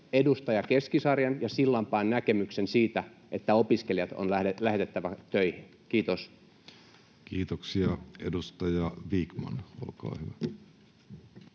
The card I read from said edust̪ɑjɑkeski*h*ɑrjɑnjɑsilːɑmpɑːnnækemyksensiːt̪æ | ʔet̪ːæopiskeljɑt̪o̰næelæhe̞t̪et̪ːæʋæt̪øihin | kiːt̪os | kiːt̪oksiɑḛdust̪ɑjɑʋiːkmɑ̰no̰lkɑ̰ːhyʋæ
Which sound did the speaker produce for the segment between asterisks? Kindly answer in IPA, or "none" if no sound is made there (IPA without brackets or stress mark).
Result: s